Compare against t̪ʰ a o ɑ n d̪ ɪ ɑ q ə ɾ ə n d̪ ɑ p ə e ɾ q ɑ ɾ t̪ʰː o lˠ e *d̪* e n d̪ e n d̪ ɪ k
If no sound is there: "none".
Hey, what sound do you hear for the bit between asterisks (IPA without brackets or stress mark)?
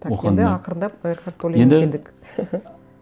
none